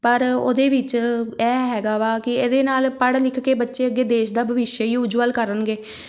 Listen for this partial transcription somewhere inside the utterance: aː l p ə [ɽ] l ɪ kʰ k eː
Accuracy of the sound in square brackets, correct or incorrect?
correct